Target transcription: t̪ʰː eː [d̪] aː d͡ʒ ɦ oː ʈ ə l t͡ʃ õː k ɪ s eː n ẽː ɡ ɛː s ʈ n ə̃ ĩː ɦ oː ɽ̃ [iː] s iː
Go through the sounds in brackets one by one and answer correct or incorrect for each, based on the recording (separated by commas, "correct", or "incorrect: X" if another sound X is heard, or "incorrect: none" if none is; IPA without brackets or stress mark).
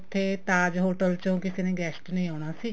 incorrect: t̪, incorrect: aː